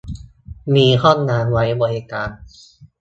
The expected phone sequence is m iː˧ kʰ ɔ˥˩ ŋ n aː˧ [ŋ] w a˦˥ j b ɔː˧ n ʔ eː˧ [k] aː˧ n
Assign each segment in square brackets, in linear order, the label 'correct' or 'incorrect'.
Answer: incorrect: n, correct

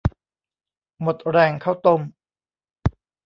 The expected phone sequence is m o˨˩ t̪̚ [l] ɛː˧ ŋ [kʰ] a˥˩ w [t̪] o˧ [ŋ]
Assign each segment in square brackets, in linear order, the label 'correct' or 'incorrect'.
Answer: incorrect: ɾ, correct, correct, incorrect: m

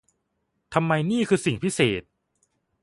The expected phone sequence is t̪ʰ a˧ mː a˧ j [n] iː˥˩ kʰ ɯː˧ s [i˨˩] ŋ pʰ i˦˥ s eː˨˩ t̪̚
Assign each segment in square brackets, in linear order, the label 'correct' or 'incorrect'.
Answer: correct, correct

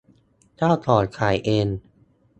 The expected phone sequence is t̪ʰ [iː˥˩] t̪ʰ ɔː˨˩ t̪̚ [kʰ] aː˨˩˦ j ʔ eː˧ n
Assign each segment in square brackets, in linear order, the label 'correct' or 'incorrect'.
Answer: incorrect: aː˥˩, correct

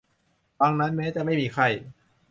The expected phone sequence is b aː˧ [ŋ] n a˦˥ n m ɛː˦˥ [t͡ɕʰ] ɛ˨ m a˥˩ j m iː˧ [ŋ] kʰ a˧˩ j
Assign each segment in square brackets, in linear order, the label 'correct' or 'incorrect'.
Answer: correct, incorrect: t͡ɕ, incorrect: none

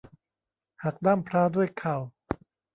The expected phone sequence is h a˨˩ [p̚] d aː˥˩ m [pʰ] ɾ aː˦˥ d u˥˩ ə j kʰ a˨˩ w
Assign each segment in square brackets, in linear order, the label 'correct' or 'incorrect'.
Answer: incorrect: k̚, correct

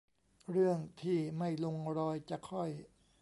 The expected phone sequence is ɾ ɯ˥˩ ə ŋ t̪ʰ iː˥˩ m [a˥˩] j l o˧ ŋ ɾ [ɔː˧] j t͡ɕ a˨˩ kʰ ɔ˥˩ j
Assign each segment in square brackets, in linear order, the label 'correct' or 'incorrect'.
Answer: correct, correct

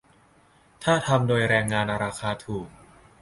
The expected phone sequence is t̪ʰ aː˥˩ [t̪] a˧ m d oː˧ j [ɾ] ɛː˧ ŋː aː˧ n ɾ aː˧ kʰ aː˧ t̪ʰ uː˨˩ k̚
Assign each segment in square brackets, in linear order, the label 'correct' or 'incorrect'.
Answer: incorrect: t̪ʰ, correct

